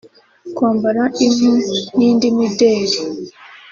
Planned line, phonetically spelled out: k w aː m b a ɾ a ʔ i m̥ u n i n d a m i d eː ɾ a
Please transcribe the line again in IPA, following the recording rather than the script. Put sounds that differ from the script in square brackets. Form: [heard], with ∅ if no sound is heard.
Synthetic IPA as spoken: k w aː m b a ɾ a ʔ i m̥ u n i n d [i] m i d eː ɾ [i]